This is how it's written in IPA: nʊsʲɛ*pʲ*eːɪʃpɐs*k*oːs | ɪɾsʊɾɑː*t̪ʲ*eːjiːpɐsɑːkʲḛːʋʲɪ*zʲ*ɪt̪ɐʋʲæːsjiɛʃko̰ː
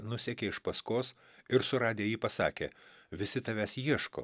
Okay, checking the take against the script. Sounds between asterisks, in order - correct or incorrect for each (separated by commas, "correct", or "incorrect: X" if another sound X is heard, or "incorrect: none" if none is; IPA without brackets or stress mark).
incorrect: kʲ, correct, incorrect: d̪ʲ, incorrect: sʲ